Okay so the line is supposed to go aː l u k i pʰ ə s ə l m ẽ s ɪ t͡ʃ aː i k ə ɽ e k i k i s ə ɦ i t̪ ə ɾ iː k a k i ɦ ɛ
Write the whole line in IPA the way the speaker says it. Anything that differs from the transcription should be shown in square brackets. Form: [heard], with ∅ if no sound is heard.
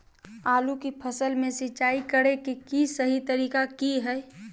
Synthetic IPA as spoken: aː l u k i pʰ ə s ə l m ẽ s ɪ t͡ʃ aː i k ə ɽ e k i k i s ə ɦ i t̪ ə ɾ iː k a k i ɦ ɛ